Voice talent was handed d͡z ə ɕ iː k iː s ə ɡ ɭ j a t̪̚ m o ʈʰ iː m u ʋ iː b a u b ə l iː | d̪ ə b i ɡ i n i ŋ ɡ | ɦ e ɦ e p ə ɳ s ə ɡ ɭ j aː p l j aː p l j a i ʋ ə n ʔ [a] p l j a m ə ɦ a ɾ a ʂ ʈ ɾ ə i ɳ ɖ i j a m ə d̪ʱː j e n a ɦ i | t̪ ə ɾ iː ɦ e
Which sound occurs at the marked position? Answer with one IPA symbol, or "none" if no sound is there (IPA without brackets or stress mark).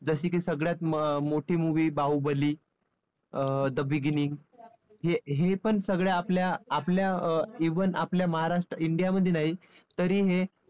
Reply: a